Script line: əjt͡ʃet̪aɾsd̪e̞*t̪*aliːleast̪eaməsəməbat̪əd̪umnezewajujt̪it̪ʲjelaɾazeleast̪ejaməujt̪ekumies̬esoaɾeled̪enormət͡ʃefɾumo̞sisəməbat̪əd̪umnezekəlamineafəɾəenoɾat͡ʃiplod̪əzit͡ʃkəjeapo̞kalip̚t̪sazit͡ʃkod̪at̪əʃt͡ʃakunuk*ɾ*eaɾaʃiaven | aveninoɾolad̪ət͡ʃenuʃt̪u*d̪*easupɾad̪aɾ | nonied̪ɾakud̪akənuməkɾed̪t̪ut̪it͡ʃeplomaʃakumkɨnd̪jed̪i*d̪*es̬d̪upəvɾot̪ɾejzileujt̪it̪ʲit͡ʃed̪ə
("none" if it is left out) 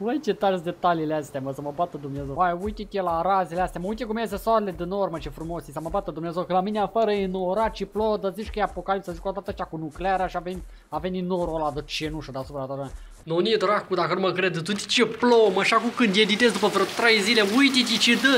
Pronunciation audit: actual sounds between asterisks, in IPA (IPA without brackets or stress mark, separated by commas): t̪, l, d̪, t̪